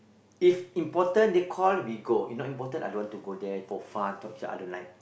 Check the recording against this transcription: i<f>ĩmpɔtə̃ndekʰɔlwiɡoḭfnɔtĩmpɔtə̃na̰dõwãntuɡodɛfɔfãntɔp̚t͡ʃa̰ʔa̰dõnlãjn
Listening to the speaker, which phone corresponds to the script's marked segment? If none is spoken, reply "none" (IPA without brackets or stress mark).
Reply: f